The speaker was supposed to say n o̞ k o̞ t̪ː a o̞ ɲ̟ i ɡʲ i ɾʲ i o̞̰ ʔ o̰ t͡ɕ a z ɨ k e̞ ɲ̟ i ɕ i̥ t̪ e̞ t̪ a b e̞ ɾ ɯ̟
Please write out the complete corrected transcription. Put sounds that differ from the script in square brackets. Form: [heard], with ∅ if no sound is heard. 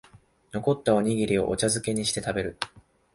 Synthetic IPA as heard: n o̞ k o̞ t̪ː a o̞ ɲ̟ i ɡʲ i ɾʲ i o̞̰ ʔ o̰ t͡ɕ a z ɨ k e̞ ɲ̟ i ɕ i̥ t̪ e̞ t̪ a b e̞ ɾ ɯ̟